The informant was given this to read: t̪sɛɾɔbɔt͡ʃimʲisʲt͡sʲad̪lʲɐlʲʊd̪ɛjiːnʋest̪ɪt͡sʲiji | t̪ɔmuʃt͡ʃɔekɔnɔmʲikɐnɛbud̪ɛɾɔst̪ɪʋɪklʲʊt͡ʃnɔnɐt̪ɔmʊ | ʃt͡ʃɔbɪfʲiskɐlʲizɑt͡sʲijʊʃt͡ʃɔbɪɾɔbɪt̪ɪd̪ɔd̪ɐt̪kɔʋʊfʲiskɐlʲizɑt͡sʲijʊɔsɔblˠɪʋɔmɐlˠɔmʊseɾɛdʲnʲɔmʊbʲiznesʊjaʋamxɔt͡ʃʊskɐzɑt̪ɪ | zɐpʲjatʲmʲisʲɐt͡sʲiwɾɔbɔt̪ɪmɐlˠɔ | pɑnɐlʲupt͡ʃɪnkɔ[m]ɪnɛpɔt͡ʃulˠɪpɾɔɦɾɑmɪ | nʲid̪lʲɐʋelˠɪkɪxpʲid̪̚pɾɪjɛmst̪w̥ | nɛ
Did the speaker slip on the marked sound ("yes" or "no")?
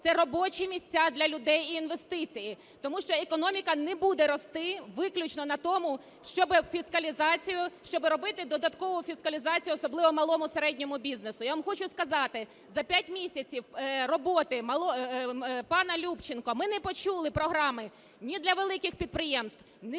no